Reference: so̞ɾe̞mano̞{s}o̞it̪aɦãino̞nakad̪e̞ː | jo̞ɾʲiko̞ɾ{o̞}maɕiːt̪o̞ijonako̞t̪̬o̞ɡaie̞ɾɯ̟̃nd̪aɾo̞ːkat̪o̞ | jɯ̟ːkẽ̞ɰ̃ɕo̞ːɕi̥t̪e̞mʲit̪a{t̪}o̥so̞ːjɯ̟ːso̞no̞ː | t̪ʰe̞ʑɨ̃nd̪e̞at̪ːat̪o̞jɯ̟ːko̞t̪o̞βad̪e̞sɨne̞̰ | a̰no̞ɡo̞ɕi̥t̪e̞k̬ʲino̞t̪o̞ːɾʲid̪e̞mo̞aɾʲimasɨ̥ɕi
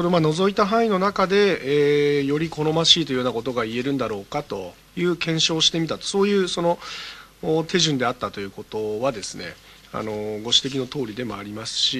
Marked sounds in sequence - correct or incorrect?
incorrect: z, correct, correct

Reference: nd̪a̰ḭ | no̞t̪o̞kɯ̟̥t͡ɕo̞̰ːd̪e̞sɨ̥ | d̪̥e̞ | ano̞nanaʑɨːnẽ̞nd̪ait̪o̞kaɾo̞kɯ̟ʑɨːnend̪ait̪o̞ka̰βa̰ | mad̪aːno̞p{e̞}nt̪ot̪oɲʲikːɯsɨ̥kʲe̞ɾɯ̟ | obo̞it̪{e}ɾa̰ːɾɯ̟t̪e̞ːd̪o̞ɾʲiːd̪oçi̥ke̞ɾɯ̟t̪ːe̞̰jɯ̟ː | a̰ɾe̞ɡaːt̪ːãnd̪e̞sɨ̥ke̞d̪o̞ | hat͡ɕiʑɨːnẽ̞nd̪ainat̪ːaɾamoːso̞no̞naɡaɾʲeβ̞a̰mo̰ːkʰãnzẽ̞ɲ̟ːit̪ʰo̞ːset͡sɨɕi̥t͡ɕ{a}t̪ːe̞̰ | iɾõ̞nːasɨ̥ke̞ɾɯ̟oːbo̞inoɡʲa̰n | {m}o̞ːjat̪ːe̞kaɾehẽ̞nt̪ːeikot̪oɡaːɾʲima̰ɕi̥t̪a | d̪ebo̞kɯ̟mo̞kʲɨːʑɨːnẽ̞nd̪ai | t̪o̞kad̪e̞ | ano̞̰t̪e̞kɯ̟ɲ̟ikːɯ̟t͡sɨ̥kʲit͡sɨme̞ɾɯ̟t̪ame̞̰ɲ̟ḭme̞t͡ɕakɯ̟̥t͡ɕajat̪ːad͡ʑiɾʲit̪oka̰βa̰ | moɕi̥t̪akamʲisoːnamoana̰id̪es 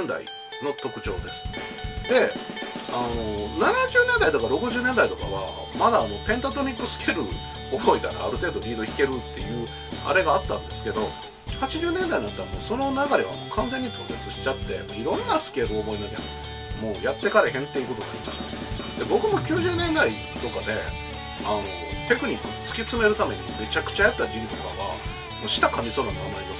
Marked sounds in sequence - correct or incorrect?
incorrect: ẽ̞, incorrect: a, correct, correct

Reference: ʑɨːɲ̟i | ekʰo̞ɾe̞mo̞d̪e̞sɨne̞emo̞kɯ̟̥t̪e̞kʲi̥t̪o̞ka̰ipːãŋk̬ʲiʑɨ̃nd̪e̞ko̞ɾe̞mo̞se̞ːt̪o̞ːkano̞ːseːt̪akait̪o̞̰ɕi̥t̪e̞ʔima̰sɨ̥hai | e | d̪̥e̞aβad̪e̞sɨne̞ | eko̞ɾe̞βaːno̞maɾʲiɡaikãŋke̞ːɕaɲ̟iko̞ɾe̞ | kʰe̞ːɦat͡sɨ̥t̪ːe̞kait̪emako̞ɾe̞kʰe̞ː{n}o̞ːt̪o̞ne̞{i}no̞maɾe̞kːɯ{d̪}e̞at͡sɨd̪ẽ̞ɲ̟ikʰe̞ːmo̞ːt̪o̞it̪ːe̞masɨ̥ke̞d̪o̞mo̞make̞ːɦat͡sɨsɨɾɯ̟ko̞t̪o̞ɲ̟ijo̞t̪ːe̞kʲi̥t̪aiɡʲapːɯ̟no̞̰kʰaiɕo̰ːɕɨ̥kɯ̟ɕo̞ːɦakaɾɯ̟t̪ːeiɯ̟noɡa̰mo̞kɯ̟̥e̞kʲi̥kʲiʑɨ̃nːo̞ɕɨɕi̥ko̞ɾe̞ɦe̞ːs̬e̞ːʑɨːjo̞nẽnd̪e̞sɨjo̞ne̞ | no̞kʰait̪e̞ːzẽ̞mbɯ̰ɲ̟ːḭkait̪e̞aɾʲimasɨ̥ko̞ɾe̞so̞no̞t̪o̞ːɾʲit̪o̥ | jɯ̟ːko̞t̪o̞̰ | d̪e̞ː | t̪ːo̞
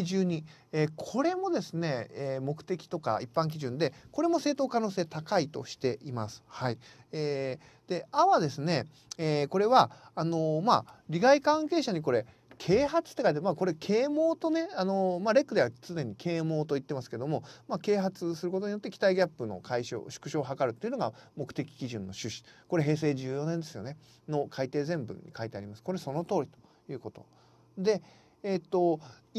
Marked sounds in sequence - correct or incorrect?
incorrect: m, incorrect: a, correct

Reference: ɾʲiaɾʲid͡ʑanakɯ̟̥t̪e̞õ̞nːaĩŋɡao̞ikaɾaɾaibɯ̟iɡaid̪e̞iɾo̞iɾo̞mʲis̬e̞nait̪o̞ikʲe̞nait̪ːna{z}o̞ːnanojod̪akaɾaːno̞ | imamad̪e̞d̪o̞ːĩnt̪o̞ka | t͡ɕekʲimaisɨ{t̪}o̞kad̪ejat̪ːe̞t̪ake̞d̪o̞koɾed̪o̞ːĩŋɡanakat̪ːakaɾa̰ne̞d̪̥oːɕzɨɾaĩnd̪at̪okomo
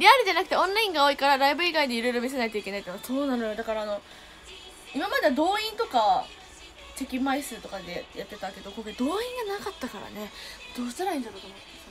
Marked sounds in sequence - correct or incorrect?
incorrect: s, correct

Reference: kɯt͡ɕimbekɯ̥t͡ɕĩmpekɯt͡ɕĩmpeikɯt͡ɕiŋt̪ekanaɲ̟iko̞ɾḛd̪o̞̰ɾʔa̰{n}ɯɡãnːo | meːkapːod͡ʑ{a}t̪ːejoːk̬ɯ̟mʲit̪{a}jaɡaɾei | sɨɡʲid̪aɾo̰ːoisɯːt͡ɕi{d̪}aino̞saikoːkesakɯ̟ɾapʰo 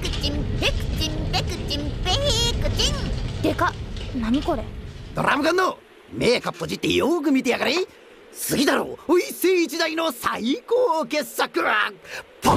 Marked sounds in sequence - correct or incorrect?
incorrect: m, incorrect: i, incorrect: e, correct

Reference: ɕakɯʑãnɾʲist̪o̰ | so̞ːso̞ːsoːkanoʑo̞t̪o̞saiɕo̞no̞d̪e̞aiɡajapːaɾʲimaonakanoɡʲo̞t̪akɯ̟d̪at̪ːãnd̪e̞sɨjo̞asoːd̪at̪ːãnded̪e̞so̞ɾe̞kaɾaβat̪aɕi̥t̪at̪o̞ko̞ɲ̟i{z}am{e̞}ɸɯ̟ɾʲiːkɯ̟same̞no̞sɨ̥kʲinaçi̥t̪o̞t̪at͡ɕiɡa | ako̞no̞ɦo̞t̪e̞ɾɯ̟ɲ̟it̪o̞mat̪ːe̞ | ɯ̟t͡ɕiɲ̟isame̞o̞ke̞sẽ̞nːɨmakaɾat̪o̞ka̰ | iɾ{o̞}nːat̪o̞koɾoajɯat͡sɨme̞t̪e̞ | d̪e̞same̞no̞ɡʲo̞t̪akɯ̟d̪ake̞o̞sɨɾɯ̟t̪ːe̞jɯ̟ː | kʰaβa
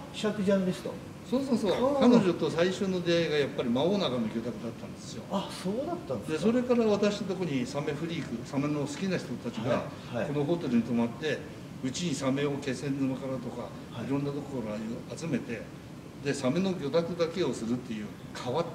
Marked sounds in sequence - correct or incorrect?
incorrect: s, correct, incorrect: õ̞

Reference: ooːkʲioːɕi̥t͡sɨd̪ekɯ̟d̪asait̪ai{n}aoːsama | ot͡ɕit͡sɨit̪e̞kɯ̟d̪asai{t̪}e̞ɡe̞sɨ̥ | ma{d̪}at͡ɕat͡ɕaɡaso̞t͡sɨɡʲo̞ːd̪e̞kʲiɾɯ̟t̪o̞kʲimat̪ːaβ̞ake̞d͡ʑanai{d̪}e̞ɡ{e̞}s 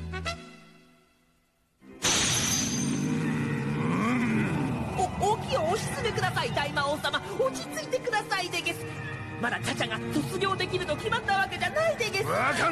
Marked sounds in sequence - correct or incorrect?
incorrect: m, incorrect: d̪, correct, correct, correct

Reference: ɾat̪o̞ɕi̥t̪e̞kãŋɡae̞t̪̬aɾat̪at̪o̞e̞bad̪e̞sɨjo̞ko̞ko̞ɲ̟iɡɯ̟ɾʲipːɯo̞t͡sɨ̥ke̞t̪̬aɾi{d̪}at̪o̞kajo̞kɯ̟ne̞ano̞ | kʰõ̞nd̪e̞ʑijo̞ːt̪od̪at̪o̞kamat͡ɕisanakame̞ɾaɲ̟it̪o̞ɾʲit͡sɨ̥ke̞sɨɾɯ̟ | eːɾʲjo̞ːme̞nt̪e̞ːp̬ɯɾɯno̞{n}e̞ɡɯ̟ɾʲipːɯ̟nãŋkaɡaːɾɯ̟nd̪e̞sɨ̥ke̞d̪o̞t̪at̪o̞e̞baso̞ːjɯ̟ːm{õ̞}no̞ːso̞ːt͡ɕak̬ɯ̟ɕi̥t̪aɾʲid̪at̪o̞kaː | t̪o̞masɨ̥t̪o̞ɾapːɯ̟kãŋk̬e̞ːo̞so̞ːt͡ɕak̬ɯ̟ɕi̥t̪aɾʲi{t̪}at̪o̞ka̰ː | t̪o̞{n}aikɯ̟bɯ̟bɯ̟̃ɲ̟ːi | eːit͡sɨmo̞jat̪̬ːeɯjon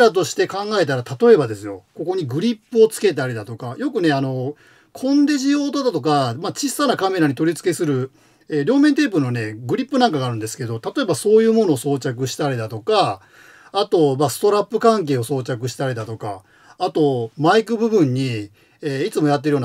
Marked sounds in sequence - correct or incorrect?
correct, correct, incorrect: o̞, incorrect: d̪, incorrect: m

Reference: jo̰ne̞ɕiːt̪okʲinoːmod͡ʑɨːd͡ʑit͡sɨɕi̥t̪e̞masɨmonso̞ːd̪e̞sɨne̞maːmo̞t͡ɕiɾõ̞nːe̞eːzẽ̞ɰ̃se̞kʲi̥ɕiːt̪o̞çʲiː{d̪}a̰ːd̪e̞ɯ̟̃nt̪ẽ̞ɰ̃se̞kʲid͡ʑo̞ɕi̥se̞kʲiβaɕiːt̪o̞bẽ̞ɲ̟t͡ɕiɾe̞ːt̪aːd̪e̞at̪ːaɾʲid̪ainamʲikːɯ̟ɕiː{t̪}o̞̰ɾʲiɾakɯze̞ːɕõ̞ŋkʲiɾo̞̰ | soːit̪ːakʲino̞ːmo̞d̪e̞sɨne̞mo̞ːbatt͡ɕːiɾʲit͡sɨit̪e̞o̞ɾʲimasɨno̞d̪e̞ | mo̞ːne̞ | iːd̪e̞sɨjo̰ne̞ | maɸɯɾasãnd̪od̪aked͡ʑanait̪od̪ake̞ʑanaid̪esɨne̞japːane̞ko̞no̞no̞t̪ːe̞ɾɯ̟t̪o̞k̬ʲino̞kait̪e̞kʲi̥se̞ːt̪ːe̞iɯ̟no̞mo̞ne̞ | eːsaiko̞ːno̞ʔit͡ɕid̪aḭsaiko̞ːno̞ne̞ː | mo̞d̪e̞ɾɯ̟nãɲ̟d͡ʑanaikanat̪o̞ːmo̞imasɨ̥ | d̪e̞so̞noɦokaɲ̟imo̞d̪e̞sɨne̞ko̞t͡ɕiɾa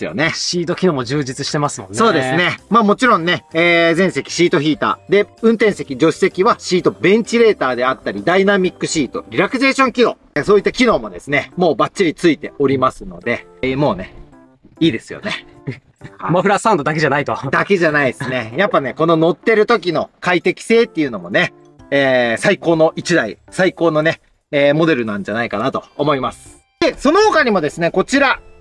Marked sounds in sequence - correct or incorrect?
incorrect: t̪, correct

